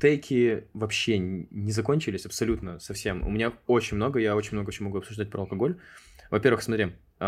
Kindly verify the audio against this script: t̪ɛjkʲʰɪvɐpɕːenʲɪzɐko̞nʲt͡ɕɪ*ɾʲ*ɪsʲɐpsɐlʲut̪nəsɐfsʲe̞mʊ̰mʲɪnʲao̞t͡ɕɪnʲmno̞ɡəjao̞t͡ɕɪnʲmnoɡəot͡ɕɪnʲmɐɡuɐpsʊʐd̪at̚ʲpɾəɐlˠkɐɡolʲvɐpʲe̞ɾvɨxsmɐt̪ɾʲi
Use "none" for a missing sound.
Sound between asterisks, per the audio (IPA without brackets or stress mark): lʲ